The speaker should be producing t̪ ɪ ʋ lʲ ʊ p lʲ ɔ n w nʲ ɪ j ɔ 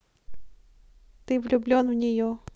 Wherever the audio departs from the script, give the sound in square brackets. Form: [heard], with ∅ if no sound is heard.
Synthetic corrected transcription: t̪ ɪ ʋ lʲ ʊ [b] lʲ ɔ n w nʲ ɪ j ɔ